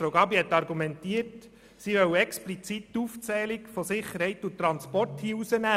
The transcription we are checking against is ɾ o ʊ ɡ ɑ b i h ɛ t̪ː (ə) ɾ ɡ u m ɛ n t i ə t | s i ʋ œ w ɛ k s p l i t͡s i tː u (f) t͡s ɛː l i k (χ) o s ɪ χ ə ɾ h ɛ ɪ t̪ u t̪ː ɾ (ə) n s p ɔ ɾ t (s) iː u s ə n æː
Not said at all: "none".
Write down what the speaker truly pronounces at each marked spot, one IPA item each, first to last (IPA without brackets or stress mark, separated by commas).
ɑ, f, f, ɑ, h